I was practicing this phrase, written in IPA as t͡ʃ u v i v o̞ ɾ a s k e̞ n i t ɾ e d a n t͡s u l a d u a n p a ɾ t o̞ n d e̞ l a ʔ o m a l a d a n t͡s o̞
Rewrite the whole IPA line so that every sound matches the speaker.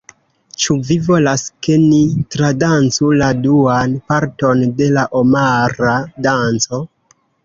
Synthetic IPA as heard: t͡ʃ u v i v o̞ l a s k e̞ n i t ɾ a d a n t͡s u l a d u a n p a ɾ t o̞ n d e̞ l a ʔ o m a ɾ a d a n t͡s o̞